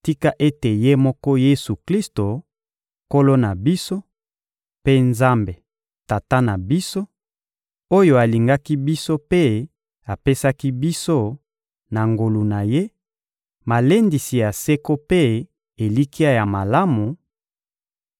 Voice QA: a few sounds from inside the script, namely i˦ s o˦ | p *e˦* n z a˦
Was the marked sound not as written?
no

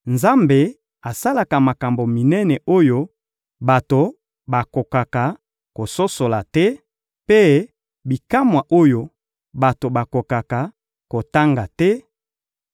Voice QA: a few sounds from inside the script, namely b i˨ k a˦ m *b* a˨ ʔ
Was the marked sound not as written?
yes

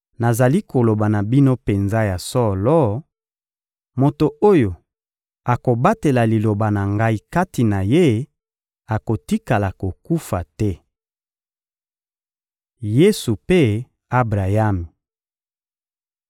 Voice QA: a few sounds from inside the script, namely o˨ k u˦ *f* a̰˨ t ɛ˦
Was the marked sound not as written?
no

